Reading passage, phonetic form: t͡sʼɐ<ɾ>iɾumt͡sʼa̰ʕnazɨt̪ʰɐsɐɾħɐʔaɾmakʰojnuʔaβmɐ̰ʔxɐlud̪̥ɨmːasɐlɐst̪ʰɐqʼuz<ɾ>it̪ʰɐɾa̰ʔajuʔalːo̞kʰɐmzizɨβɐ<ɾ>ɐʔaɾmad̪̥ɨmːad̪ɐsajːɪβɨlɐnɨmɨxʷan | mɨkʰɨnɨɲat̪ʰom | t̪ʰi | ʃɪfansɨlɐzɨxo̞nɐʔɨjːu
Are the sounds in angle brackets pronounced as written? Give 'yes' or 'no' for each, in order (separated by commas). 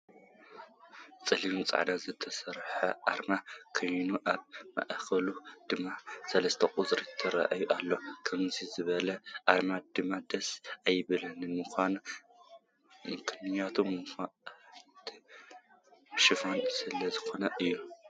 no, yes, no